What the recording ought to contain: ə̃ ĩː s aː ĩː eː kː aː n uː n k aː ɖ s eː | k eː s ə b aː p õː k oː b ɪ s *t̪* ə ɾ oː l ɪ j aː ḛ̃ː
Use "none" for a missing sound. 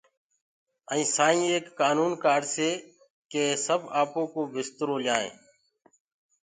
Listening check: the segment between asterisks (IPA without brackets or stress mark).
t̪